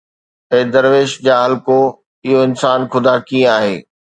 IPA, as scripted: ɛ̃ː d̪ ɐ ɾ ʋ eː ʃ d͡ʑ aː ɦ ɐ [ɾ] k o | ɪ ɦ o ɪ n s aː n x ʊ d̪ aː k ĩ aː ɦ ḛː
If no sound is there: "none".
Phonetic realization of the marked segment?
l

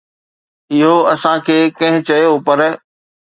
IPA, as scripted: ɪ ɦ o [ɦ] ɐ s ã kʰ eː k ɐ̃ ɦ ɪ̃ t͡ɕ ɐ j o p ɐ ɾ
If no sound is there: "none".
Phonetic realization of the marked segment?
none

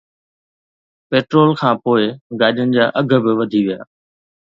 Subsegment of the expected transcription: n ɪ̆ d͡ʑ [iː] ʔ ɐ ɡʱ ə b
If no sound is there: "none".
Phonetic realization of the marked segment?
aː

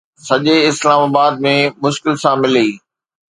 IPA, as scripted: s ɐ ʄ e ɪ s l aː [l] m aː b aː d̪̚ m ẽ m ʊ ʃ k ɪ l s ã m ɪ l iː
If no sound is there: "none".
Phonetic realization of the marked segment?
none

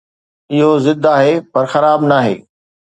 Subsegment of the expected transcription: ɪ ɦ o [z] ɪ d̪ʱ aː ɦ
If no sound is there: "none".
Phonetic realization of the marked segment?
z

